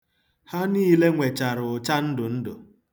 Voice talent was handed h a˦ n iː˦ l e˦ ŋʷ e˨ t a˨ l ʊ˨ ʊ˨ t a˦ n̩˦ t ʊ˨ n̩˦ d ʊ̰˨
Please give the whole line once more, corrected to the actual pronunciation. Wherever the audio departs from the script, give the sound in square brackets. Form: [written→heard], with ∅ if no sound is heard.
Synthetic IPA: h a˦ n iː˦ l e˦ ŋʷ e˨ [t→t͡ʃ] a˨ [l→ɾ] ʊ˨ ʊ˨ [t→t͡ʃ] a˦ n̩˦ [t→d] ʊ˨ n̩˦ d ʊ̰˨